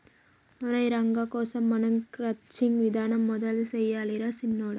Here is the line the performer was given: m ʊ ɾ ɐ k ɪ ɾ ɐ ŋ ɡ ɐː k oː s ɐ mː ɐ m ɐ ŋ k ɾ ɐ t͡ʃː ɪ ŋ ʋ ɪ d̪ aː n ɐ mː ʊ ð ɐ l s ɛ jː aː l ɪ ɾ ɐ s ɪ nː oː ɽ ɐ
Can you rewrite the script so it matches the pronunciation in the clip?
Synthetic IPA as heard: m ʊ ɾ ɐ ɪ ɾ ɐ ŋ ɡ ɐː k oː s ɐ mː ɐ n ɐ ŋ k ɾ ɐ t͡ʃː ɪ ŋ ʋ ɪ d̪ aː n ɐ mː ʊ ð ɐ l s ɛ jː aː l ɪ ɾ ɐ s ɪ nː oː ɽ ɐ